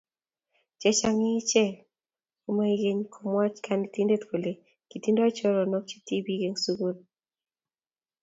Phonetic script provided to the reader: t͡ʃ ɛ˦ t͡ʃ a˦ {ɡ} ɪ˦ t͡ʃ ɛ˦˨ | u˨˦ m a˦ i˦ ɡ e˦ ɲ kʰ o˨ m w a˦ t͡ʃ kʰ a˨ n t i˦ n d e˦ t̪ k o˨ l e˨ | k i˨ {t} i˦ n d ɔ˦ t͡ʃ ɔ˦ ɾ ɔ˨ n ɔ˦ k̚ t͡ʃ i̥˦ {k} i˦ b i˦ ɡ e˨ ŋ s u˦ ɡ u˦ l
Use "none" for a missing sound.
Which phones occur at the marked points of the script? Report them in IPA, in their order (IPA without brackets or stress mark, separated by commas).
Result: ŋ, t, t